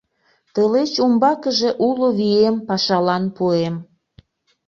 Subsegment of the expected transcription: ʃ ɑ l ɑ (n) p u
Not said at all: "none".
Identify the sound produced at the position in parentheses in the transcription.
n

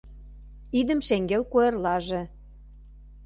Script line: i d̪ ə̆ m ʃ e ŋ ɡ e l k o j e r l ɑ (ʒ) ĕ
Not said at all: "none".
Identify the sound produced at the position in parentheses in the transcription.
ʒ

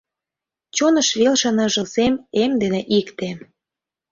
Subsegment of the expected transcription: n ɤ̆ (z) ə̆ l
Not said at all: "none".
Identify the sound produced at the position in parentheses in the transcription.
ʒ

